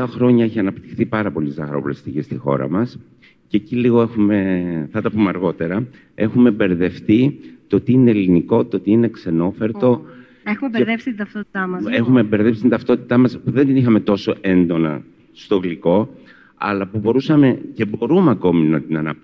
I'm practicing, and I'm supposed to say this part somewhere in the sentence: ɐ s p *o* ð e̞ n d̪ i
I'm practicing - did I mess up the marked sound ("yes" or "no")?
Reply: yes